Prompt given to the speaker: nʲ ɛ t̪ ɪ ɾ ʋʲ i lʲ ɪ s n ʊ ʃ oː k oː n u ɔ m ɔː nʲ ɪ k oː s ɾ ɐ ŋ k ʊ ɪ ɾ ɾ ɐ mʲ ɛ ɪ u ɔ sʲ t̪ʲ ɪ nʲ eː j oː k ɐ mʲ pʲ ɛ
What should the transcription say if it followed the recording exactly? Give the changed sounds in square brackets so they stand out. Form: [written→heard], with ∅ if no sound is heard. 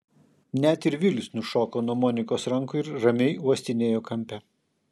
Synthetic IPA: nʲ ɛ t̪ ɪ ɾ ʋʲ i lʲ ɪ s n ʊ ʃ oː k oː n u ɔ m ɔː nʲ ɪ k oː s ɾ ɐ ŋ k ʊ ɪ ɾ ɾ ɐ mʲ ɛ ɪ u ɔ sʲ t̪ʲ ɪ nʲ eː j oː k ɐ mʲ pʲ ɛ

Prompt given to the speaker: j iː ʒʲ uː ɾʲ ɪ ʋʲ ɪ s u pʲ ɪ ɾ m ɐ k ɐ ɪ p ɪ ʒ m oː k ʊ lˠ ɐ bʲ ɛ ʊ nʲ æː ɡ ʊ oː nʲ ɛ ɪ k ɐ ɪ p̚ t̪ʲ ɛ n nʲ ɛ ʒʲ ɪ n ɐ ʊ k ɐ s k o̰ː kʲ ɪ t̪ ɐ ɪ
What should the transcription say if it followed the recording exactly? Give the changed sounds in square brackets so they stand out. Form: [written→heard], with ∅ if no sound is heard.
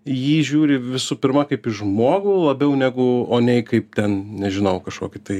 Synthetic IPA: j iː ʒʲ uː ɾʲ ɪ ʋʲ ɪ s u pʲ ɪ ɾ m ɐ k ɐ ɪ p ɪ ʒ m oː [k→ɡ] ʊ lˠ ɐ bʲ ɛ ʊ nʲ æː ɡ ʊ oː nʲ ɛ ɪ k ɐ ɪ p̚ t̪ʲ ɛ n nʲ ɛ ʒʲ ɪ n ɐ ʊ k ɐ [s→ʃ] k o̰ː kʲ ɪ t̪ ɐ ɪ

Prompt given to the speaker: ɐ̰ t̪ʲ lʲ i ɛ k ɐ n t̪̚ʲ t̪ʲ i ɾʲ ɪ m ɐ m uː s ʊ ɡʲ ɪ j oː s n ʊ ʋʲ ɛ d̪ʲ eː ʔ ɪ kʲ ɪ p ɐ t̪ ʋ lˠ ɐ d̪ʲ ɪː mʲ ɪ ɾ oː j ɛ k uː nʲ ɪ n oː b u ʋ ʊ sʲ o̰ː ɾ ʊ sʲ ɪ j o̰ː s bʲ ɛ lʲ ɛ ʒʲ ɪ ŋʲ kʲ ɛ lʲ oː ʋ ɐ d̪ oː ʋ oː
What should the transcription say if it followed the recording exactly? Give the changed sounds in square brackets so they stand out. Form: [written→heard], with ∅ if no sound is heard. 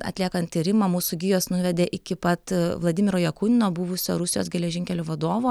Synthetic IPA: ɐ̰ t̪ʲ lʲ i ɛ k ɐ n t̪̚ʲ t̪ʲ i ɾʲ ɪ m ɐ m uː s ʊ ɡʲ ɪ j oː s n ʊ ʋʲ ɛ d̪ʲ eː ʔ ɪ kʲ ɪ p ɐ t̪ ʋ lˠ ɐ d̪ʲ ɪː mʲ ɪ ɾ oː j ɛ k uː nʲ ɪ n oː b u ʋ ʊ sʲ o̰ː ɾ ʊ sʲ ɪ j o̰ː s [bʲ→ɡʲ] ɛ lʲ ɛ ʒʲ ɪ ŋʲ kʲ ɛ lʲ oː ʋ ɐ d̪ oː ʋ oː

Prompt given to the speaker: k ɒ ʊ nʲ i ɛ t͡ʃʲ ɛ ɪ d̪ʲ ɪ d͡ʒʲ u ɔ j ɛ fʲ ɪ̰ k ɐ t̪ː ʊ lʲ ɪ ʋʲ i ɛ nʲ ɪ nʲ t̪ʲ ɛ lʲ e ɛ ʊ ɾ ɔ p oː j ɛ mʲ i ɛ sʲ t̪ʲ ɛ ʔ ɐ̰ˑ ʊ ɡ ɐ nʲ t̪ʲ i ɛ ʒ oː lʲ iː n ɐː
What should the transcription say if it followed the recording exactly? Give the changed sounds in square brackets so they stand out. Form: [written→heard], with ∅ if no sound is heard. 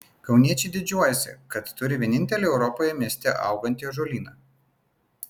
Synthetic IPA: k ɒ ʊ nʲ i ɛ t͡ʃʲ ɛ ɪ d̪ʲ ɪ d͡ʒʲ u ɔ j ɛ [fʲ→sʲ] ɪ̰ k ɐ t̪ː ʊ [lʲ→ɾʲ] ɪ ʋʲ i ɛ nʲ ɪ nʲ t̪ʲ ɛ lʲ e ɛ ʊ ɾ ɔ p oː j ɛ mʲ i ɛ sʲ t̪ʲ ɛ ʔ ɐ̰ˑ ʊ ɡ ɐ nʲ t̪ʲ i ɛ ʒ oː lʲ iː n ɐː

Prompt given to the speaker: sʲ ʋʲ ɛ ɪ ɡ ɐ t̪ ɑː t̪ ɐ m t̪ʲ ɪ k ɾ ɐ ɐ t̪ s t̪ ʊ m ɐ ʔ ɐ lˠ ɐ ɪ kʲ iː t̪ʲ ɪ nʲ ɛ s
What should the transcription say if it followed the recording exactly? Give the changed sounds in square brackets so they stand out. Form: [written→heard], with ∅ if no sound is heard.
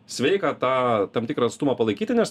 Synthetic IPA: sʲ ʋʲ ɛ ɪ [ɡ→k] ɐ t̪ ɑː t̪ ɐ m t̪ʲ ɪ k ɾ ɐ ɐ t̪ s t̪ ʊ m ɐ [ʔ→p] ɐ lˠ ɐ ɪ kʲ iː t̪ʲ ɪ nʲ ɛ s

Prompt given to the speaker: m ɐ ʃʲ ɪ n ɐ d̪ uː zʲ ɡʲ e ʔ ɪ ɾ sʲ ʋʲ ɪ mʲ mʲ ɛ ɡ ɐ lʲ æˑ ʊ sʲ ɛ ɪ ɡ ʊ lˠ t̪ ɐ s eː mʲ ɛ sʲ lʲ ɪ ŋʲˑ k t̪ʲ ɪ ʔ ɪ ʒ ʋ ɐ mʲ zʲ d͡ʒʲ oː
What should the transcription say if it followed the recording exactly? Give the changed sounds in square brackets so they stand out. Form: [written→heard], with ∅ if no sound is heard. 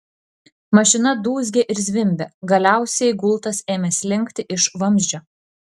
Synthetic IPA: m ɐ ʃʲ ɪ n ɐ d̪ uː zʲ ɡʲ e ʔ ɪ ɾ [sʲ→zʲ] ʋʲ ɪ mʲ [mʲ→bʲ] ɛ ɡ ɐ lʲ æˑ ʊ sʲ ɛ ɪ ɡ ʊ lˠ t̪ ɐ s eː mʲ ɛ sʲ lʲ ɪ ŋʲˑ k t̪ʲ ɪ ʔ ɪ [ʒ→ʃ] ʋ ɐ mʲ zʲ d͡ʒʲ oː

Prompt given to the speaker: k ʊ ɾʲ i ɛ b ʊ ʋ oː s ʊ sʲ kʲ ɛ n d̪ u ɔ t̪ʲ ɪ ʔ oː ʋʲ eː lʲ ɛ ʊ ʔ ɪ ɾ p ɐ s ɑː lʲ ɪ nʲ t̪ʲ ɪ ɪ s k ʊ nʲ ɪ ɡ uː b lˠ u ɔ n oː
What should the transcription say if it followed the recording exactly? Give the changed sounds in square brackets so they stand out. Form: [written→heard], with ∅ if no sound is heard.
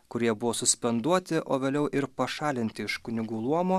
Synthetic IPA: k ʊ ɾʲ i ɛ b ʊ ʋ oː s ʊ sʲ [kʲ→pʲ] ɛ n d̪ u ɔ t̪ʲ ɪ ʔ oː ʋʲ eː lʲ ɛ ʊ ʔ ɪ ɾ p ɐ [s→ʃ] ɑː lʲ ɪ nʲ t̪ʲ ɪ ɪ [s→ʃ] k ʊ nʲ ɪ ɡ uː [b→∅] lˠ u ɔ [n→m] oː

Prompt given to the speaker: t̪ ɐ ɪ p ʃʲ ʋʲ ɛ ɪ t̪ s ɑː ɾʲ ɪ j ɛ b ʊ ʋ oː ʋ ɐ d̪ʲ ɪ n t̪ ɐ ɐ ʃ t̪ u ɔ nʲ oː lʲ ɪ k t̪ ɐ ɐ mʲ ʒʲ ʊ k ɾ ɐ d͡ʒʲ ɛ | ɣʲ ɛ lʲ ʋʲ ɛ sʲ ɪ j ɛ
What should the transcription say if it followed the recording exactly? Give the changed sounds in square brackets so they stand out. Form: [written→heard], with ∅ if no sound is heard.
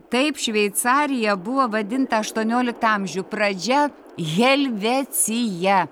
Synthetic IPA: t̪ ɐ ɪ p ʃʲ ʋʲ ɛ ɪ t̪ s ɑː ɾʲ ɪ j ɛ b ʊ ʋ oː ʋ ɐ d̪ʲ ɪ n t̪ ɐ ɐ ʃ t̪ u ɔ nʲ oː lʲ ɪ k t̪ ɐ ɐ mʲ ʒʲ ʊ [k→p] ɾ ɐ d͡ʒʲ ɛ | ɣʲ ɛ lʲ ʋʲ ɛ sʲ ɪ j ɛ

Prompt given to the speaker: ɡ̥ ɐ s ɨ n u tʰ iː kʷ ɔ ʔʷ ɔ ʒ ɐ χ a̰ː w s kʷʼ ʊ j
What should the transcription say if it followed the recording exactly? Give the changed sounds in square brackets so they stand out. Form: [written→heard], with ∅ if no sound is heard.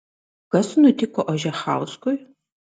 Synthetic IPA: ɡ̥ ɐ s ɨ n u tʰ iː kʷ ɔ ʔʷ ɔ ʒ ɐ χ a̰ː w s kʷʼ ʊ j

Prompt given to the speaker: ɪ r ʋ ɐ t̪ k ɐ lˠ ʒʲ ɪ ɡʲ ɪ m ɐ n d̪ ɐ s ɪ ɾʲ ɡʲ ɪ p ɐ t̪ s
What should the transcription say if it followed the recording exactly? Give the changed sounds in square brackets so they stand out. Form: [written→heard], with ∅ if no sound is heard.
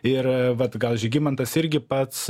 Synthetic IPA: ɪ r ʋ ɐ t̪ [k→ɡ] ɐ lˠ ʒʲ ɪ ɡʲ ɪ m ɐ n [d̪→t̪] ɐ s ɪ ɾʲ ɡʲ ɪ p ɐ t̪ s

